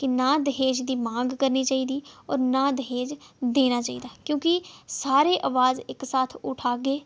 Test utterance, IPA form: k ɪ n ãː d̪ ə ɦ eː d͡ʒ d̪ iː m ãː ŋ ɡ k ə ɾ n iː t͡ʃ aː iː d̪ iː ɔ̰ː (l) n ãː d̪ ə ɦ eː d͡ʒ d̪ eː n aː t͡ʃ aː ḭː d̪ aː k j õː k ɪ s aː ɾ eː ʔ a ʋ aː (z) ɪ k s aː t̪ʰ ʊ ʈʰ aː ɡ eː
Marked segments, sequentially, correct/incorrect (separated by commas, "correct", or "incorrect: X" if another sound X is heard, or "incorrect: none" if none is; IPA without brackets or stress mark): incorrect: ɾ, correct